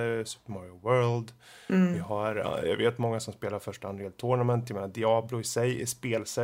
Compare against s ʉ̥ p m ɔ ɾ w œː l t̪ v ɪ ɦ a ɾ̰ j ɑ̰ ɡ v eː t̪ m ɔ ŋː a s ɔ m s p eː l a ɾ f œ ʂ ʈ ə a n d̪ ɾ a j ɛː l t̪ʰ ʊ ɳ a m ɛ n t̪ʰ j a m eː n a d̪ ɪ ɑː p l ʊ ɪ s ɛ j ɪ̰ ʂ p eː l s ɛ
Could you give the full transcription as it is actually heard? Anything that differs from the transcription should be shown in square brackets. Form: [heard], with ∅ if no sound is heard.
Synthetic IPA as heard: s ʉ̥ p m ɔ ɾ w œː l [d̪] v ɪ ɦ a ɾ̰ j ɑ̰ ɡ v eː t̪ m ɔ ŋː a s ɔ m s p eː l a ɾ f œ ʂ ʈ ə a n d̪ ɾ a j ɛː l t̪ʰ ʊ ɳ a m ɛ n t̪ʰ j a m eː n a d̪ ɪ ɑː [b] l ʊ ɪ s ɛ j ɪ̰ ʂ p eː l s ɛ